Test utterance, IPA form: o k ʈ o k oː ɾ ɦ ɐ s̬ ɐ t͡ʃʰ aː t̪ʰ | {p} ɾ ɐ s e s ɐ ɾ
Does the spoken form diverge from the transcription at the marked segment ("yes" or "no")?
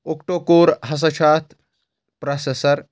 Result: no